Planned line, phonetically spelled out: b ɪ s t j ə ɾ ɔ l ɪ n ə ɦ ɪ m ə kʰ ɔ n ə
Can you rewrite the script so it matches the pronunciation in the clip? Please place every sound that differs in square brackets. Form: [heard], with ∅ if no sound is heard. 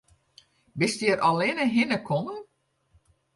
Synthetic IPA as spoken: b ɪ s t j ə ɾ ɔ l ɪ n ə ɦ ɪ [n] ə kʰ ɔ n ə